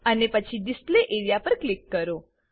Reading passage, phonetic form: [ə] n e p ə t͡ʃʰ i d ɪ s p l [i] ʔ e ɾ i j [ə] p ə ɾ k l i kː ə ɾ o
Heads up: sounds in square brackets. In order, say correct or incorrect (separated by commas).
correct, incorrect, incorrect